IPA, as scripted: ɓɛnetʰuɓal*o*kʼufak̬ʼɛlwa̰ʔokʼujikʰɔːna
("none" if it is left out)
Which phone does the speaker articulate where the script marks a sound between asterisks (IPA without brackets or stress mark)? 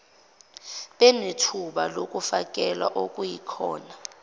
o